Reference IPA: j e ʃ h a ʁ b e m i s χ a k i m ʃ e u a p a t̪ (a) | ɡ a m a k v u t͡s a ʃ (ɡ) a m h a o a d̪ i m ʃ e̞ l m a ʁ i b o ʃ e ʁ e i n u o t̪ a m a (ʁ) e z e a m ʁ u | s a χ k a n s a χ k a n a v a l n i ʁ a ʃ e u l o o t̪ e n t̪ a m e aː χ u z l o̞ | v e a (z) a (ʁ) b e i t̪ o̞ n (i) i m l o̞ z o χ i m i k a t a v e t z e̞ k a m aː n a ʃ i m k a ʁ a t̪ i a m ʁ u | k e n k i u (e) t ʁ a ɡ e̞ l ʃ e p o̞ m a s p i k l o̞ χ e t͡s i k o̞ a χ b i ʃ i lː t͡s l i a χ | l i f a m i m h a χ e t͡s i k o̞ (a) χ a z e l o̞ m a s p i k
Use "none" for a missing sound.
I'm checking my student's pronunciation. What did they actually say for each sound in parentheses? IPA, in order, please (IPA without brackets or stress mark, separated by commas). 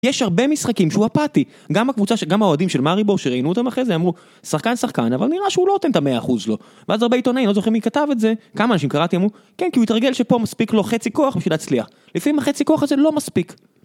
i, ɡ, χ, z, ʁ, a, i, a